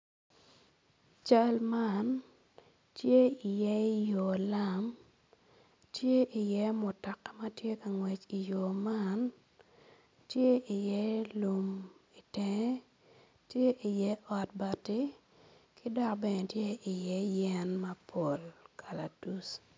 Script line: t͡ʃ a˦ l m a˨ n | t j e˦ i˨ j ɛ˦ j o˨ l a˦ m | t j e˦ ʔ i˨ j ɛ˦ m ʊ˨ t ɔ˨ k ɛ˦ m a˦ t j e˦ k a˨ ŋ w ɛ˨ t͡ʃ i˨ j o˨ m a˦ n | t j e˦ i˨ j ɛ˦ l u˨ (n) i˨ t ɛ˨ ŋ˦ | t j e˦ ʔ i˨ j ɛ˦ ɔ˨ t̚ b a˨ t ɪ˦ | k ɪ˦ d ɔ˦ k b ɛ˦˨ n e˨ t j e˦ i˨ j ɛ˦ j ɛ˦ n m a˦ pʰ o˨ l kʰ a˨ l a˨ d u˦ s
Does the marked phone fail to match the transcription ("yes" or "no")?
yes